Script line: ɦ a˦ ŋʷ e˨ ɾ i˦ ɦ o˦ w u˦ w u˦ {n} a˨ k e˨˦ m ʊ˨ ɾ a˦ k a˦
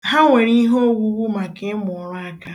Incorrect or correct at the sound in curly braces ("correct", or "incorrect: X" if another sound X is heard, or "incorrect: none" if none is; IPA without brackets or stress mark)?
incorrect: m